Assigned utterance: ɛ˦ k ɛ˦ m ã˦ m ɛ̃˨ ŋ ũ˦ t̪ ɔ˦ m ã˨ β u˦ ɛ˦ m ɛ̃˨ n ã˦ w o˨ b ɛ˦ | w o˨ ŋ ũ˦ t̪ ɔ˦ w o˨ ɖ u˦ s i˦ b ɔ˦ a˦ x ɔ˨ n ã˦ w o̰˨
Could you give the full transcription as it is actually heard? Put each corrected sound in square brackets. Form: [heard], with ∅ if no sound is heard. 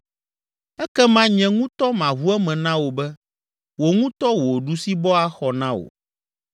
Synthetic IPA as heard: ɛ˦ k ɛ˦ m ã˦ [ɲ] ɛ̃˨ ŋ ũ˦ t̪ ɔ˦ m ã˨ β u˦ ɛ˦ m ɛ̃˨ n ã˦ w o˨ b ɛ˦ | w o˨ ŋ ũ˦ t̪ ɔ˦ w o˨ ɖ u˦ s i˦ b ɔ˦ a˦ x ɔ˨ n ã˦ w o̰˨